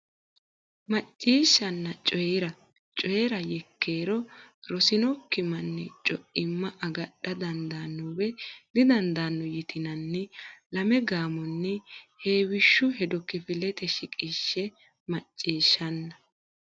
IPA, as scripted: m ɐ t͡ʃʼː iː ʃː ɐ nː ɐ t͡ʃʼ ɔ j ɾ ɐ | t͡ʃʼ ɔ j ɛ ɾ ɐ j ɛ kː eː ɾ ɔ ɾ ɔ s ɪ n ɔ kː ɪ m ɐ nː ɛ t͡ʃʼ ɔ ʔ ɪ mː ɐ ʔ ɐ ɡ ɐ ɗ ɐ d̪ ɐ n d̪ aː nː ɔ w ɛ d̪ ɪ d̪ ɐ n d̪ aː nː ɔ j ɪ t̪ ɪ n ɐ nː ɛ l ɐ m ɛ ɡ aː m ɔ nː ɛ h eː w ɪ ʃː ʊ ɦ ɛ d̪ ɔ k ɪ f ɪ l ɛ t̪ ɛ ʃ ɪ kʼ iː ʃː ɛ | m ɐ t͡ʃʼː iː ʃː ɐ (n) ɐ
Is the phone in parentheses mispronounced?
yes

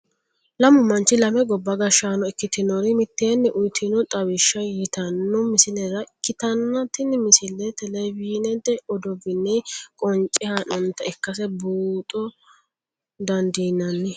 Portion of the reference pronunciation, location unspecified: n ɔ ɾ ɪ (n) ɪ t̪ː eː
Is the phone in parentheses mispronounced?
yes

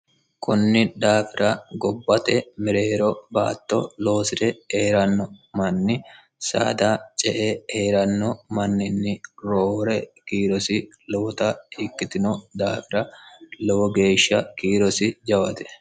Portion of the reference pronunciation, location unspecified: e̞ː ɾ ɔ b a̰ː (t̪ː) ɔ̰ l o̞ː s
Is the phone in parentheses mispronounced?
no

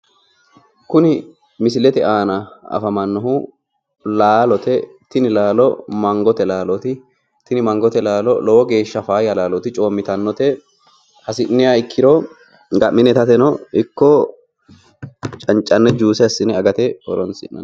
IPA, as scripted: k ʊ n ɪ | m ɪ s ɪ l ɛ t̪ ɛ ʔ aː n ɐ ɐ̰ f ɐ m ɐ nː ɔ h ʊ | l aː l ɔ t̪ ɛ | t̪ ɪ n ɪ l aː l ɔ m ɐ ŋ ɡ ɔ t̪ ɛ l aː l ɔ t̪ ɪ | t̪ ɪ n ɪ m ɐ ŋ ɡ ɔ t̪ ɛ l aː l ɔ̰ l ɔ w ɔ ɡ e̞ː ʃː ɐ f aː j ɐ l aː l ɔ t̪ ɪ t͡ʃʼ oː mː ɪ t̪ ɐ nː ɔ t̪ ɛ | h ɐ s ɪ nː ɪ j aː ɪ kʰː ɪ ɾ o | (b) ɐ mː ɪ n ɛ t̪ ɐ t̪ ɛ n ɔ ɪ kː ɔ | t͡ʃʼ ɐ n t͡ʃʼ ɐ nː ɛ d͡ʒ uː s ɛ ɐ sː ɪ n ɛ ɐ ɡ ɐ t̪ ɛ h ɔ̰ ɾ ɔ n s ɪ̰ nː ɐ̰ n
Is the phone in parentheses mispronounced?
yes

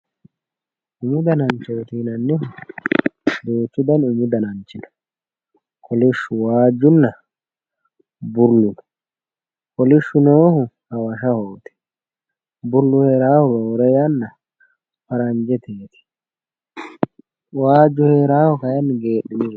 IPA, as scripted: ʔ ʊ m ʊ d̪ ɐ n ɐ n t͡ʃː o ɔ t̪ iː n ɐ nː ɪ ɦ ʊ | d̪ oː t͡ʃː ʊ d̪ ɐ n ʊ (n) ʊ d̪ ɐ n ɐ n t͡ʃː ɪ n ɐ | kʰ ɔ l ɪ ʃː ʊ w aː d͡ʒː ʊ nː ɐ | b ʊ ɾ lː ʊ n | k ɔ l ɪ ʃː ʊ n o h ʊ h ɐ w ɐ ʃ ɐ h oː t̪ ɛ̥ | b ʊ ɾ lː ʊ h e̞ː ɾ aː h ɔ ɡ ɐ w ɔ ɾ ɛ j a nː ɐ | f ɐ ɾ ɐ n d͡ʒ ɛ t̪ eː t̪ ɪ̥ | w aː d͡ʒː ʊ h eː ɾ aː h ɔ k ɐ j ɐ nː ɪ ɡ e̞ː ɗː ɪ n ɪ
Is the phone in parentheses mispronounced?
yes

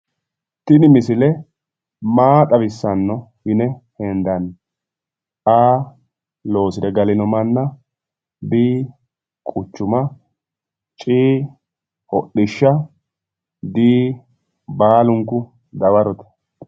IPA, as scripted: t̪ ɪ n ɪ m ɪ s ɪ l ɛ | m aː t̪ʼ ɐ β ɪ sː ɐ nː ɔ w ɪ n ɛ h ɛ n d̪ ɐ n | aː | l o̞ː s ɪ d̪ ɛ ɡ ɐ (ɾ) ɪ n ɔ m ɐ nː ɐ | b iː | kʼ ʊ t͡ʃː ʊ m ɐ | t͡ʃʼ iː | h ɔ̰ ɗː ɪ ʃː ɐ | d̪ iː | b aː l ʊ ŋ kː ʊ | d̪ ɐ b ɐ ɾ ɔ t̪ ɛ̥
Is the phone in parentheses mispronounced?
yes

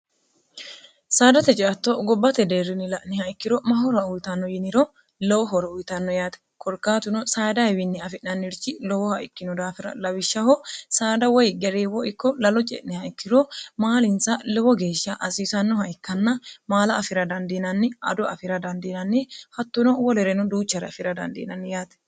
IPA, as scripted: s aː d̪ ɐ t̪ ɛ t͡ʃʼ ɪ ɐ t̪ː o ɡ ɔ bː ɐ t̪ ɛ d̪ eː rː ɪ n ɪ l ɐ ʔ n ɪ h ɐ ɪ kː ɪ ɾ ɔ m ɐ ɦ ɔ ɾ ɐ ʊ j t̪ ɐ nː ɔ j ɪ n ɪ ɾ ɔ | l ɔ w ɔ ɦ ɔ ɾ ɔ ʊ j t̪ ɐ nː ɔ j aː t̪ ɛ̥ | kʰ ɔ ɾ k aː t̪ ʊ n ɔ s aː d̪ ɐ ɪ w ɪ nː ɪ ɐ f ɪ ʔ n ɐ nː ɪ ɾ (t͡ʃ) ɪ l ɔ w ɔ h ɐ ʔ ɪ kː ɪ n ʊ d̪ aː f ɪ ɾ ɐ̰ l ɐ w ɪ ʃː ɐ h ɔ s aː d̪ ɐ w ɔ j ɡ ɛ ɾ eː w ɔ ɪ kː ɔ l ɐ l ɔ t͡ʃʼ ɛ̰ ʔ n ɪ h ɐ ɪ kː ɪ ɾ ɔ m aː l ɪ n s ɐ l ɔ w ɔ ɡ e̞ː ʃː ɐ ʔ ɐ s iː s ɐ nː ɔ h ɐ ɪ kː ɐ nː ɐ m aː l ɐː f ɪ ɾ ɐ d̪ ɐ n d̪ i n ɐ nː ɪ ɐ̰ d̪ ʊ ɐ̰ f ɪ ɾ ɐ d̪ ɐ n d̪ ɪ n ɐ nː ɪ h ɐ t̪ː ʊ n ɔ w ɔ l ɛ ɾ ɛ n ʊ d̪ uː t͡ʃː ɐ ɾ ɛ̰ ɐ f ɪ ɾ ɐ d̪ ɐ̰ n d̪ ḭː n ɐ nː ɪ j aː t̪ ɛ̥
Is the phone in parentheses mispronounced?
no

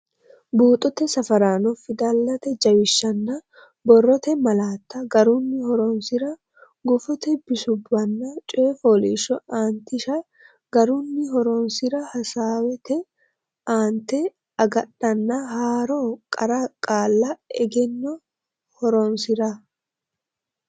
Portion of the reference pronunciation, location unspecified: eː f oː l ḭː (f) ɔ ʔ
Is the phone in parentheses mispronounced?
yes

